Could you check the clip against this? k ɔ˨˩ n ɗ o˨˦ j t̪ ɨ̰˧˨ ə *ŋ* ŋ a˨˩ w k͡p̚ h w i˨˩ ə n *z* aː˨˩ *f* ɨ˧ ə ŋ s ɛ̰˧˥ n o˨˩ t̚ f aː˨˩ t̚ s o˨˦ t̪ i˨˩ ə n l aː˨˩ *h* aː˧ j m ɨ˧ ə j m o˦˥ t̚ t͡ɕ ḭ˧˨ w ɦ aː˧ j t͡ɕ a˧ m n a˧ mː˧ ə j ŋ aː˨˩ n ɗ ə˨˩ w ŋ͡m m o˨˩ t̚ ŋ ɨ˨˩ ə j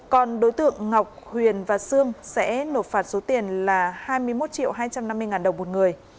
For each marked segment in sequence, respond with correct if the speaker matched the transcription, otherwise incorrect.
correct, incorrect, incorrect, correct

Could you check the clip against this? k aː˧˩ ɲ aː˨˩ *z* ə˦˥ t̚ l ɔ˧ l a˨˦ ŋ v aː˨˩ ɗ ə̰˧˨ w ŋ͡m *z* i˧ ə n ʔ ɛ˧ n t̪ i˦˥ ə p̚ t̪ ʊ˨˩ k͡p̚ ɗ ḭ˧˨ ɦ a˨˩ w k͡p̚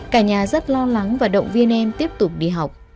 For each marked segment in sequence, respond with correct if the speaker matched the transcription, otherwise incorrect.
correct, incorrect

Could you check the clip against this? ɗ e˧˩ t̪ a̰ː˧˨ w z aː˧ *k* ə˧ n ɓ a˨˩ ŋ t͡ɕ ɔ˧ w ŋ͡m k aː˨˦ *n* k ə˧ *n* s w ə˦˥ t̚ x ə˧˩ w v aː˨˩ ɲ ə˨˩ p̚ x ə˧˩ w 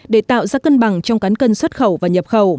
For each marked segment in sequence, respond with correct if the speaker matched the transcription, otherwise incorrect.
correct, correct, correct

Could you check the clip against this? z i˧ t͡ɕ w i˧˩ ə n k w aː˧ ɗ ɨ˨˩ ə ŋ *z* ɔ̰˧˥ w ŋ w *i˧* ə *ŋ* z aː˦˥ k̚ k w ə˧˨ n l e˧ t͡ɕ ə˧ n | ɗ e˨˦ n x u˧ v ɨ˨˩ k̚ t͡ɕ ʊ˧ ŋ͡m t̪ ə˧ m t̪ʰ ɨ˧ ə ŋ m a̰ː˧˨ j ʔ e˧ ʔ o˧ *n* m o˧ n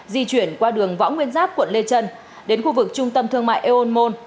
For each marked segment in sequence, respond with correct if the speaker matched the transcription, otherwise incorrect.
incorrect, correct, incorrect, correct

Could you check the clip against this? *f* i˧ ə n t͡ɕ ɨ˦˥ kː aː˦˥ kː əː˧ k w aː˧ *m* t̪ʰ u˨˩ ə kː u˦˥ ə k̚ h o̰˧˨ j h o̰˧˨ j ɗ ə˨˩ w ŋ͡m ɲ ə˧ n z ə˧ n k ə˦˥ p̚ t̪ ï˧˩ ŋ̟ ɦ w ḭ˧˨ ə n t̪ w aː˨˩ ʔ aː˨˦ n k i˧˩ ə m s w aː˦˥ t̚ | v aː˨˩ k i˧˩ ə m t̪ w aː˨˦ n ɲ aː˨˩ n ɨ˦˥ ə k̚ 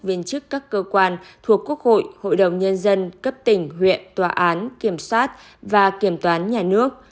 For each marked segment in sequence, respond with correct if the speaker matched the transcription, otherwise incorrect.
incorrect, incorrect

